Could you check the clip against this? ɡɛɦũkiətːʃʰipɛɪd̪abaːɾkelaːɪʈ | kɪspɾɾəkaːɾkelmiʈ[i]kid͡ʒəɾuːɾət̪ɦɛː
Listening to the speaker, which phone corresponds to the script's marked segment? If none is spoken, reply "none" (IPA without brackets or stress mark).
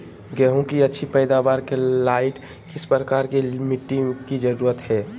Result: i